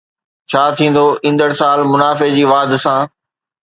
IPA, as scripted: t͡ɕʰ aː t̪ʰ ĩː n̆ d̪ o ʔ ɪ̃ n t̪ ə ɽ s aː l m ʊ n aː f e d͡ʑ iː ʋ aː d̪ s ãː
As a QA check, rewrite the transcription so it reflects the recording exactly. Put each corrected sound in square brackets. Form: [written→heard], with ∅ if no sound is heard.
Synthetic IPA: t͡ɕʰ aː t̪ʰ ĩː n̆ d̪ o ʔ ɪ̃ n [t̪→d̪] ə ɽ s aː l m ʊ n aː f e d͡ʑ iː ʋ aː d̪ s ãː